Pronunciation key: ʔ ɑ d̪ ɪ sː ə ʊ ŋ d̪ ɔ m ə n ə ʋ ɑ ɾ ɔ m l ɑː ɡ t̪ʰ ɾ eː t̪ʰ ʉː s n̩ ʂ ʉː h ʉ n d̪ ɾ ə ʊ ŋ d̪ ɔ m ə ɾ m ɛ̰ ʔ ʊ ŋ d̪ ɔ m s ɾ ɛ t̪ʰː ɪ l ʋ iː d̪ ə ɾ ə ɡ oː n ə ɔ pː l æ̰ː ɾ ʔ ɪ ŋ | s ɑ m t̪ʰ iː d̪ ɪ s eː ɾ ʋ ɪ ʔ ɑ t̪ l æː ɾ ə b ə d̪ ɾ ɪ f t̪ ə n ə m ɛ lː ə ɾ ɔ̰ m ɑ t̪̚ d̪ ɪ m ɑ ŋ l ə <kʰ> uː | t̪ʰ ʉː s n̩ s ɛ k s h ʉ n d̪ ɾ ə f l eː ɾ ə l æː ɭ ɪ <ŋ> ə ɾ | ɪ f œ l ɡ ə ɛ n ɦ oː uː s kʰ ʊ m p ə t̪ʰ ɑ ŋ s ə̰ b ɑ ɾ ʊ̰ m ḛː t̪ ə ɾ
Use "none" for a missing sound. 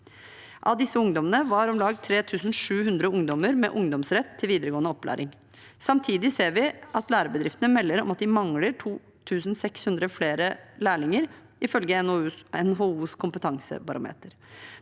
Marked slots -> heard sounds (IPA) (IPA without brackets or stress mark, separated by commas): ʈʰ, ŋ